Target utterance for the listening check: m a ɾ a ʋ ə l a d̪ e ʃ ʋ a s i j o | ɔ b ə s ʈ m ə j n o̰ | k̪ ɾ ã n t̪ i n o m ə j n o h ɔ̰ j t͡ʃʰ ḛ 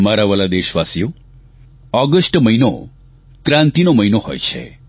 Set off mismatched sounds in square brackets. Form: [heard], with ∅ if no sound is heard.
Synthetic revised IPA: m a ɾ a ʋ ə l a d̪ e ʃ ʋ a s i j o | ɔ [ɡ] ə s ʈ m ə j n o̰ | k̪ ɾ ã n t̪ i n o m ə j n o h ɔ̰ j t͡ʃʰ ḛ